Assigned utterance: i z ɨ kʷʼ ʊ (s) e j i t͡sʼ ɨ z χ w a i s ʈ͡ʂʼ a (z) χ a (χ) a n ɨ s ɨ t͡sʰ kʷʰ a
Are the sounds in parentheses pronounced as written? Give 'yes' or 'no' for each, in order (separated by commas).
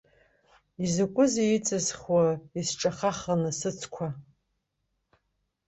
no, no, yes